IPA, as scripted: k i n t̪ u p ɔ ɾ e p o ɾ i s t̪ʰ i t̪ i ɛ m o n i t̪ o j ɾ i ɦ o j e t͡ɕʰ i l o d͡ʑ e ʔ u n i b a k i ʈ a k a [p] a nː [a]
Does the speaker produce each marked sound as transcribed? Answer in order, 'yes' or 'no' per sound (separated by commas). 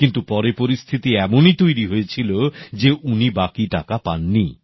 yes, no